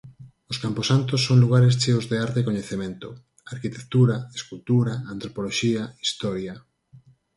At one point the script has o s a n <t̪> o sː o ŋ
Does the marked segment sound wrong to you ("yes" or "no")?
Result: no